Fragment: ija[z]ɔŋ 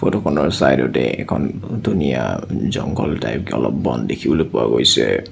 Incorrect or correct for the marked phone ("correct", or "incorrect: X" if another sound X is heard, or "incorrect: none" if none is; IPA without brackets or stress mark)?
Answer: correct